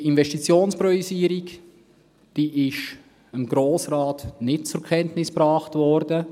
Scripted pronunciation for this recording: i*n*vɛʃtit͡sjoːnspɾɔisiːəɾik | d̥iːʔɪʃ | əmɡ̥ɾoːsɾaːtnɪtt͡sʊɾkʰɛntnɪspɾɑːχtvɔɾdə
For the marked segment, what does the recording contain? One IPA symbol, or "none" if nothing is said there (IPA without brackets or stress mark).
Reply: n